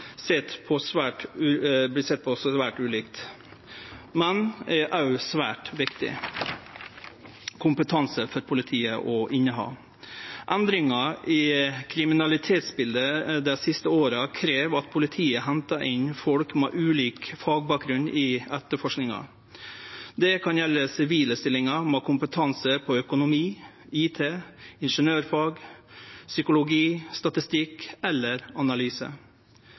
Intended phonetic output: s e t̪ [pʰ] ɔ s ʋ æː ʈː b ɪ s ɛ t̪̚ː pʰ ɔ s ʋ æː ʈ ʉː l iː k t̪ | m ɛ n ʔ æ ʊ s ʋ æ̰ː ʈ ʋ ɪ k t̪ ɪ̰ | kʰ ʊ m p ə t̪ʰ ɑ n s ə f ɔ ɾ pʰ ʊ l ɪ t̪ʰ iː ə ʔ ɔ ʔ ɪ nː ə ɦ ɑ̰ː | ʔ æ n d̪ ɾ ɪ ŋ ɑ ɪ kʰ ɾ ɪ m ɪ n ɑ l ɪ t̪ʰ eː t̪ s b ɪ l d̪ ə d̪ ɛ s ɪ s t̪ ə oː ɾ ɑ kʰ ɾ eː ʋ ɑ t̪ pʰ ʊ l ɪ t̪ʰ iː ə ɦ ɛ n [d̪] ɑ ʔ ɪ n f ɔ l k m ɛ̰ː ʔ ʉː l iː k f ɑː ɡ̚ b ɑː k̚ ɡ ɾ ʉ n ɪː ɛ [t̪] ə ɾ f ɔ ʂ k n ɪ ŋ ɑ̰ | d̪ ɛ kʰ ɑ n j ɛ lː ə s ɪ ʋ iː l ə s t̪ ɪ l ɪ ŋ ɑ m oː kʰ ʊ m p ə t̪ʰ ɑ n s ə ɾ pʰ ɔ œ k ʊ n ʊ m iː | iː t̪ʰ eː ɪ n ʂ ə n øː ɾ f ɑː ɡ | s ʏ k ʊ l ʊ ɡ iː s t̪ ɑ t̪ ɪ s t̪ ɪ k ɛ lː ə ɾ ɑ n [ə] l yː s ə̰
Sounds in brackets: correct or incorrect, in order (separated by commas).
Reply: correct, incorrect, correct, incorrect